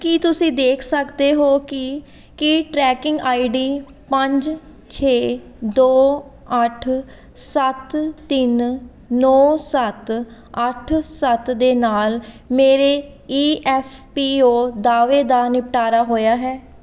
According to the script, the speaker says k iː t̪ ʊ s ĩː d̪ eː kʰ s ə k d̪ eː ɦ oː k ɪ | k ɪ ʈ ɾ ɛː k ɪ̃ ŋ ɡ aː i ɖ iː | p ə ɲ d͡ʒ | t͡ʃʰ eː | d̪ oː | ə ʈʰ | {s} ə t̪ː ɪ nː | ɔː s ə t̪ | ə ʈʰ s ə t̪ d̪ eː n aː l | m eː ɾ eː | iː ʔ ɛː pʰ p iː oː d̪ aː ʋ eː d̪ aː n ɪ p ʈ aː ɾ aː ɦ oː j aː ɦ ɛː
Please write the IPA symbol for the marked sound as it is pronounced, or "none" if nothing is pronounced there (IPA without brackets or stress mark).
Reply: s